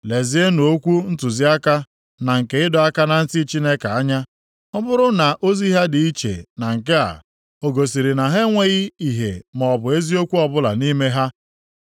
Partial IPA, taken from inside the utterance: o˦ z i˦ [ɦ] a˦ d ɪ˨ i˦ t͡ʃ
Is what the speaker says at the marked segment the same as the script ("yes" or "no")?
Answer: yes